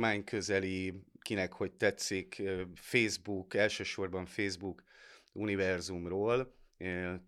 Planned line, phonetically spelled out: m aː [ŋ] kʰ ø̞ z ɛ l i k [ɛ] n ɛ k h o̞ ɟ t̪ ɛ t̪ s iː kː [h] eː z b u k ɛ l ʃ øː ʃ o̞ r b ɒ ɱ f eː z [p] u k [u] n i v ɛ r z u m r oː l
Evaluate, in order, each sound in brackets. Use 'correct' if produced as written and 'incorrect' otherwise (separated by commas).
incorrect, incorrect, incorrect, incorrect, correct